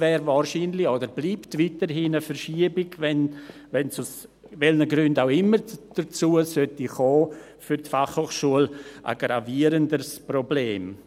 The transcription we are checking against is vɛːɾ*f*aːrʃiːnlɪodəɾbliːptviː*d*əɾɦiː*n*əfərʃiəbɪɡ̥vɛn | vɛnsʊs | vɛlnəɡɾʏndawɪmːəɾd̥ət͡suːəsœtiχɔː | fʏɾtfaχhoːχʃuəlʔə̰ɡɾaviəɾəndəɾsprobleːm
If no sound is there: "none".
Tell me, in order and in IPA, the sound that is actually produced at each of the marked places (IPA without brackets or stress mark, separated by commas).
v, t, n